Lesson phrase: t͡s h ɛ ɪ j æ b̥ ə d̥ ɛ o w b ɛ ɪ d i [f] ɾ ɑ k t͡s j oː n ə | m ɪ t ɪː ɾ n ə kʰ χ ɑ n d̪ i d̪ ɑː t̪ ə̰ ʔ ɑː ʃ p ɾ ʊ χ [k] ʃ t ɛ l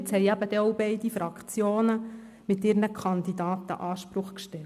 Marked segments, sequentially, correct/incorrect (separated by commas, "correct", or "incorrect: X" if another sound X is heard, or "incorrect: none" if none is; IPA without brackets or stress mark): correct, correct